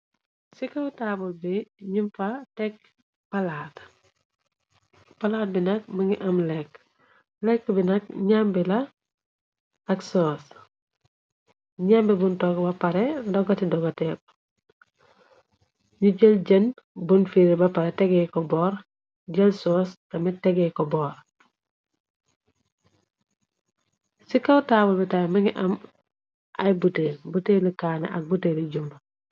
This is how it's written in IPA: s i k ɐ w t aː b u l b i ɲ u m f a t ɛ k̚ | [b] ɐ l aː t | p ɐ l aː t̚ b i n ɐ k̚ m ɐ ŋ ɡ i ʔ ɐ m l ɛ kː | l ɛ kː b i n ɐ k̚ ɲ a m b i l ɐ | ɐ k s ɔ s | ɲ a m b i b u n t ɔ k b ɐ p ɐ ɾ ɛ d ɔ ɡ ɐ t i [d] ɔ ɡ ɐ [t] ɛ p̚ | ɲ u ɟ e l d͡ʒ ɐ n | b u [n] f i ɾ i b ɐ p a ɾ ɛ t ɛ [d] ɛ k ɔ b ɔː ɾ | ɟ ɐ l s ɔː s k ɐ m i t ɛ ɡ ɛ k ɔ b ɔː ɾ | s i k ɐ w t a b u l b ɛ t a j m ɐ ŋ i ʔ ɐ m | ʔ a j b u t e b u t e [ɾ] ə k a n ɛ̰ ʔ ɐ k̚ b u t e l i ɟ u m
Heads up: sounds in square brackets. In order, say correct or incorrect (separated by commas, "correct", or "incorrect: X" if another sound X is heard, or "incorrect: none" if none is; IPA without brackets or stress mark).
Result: incorrect: p, correct, correct, correct, incorrect: ɡ, incorrect: l